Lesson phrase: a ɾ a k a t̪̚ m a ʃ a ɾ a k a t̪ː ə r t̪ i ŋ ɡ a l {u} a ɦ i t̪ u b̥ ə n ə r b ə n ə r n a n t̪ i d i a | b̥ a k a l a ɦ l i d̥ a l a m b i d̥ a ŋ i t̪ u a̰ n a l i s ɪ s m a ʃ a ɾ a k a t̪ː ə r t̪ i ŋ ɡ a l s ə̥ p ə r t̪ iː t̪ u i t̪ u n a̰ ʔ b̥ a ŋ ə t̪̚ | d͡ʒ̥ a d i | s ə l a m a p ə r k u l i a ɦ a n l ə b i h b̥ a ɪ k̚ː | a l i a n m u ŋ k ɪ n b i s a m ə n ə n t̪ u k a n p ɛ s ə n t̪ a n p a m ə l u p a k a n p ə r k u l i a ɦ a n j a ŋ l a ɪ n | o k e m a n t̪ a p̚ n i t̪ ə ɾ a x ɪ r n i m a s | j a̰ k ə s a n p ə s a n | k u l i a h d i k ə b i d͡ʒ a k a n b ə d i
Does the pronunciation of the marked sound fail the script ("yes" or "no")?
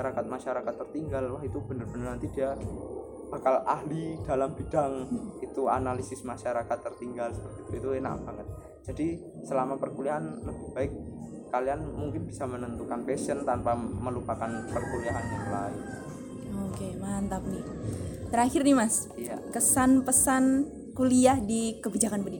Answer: yes